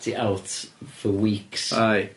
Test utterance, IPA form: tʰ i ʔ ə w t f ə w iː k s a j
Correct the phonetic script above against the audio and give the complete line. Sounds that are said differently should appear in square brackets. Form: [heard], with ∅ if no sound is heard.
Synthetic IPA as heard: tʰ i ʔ [a] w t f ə w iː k s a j

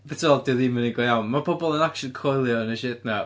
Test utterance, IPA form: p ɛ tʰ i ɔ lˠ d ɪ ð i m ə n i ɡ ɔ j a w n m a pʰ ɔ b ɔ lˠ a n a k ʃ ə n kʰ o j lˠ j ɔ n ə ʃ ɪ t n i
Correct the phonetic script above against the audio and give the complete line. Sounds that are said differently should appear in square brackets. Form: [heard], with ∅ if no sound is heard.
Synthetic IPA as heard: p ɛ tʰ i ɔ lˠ d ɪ ð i m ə n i ɡ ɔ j a w n m a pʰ ɔ b ɔ lˠ [ə] n a k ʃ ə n kʰ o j lˠ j ɔ n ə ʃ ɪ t n [a]

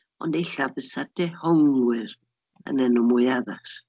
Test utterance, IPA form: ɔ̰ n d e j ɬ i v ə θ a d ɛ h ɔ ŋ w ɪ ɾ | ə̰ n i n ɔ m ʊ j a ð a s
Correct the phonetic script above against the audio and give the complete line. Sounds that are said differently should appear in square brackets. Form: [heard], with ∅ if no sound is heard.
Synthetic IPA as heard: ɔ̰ n d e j ɬ [a] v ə [s] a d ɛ h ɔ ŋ w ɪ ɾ | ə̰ n [ɛ] n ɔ m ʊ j a ð a s

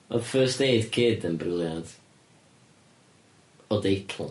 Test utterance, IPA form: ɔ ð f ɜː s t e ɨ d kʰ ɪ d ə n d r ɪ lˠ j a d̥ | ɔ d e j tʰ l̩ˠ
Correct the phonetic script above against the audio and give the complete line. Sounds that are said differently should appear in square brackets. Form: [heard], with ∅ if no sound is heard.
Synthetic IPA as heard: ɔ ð f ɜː s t e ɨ d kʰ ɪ d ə n [b] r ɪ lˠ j a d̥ | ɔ d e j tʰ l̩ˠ

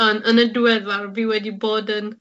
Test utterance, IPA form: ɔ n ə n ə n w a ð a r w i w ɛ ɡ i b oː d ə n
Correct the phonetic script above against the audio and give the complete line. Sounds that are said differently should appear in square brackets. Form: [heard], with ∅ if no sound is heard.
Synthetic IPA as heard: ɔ n ə n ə [d] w [ɛ] ð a r [v] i w ɛ [d] i b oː d ə n

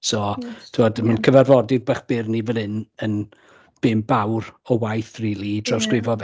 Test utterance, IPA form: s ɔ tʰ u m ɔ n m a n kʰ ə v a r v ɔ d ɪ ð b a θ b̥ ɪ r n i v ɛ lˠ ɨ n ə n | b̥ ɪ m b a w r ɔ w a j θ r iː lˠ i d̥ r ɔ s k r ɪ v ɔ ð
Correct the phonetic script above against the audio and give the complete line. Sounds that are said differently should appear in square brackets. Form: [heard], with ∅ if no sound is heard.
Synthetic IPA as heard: s ɔ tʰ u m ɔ [d] m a n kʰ ə v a r v ɔ d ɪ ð b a [χ] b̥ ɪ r n i v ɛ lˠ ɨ n ə n | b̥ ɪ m b a w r ɔ w a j θ r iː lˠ i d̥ r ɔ s k r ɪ v ɔ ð

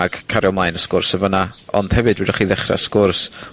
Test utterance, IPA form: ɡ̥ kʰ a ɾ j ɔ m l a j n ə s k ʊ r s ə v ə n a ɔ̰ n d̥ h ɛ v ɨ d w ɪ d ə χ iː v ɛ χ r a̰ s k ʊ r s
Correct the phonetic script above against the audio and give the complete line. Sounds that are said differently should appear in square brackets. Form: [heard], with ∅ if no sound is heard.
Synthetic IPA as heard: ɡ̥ kʰ a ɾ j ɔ m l a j n ə s k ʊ r s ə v ə n a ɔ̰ n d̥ h ɛ v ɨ d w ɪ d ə χ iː [ð] ɛ χ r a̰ s k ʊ r s

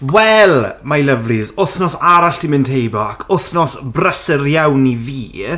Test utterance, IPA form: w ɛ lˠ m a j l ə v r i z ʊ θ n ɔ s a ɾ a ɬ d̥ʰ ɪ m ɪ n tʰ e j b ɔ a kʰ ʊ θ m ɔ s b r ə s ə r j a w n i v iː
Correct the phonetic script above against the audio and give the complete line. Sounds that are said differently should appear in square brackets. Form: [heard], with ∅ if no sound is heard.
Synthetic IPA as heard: w ɛ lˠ m a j l ə v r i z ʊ θ n ɔ s a ɾ a ɬ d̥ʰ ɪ m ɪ n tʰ e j b ɔ a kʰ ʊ θ [n] ɔ s b r ə s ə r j a w n i v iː

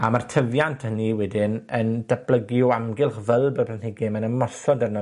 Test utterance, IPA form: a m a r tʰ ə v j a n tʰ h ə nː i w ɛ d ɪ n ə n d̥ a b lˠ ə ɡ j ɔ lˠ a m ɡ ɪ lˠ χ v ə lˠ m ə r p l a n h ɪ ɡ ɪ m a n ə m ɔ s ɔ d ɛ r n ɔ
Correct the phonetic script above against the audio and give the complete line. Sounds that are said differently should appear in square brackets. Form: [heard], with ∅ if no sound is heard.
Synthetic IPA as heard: a m a r tʰ ə v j a n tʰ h ə [n] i w ɛ d ɪ n ə n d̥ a b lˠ ə ɡ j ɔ [∅] a m ɡ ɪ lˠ χ v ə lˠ [b] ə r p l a n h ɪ ɡ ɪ m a n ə m ɔ s ɔ d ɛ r n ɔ

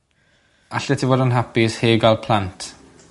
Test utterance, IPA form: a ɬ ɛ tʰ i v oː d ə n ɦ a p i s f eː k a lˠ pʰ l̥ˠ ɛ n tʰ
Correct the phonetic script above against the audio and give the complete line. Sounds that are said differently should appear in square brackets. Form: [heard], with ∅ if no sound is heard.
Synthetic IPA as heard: a ɬ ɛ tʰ i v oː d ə n ɦ a p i s [h] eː [ɡ] a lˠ pʰ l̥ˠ [a] n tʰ

